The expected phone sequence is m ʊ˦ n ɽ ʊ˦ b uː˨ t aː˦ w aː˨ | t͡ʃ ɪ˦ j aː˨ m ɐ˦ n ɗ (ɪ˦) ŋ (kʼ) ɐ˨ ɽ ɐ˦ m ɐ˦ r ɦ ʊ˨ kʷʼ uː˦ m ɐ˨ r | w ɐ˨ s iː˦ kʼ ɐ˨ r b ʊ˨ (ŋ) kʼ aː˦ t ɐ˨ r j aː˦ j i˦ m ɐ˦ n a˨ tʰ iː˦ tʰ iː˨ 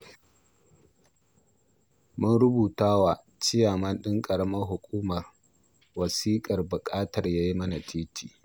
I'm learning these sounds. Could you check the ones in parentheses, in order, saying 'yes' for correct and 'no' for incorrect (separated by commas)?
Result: yes, yes, no